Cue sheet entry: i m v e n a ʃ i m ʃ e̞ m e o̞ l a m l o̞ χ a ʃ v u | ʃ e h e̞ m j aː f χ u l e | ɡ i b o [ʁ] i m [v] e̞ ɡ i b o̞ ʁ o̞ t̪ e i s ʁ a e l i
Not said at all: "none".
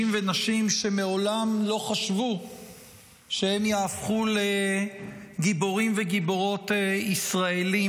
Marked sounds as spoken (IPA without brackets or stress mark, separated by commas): ʁ, v